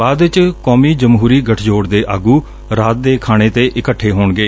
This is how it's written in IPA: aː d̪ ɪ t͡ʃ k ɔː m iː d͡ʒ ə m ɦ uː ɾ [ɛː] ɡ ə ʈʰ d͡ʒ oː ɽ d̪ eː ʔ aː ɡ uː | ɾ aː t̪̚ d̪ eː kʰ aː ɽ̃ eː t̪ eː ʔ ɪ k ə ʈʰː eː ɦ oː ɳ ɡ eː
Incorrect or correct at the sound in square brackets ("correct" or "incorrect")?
incorrect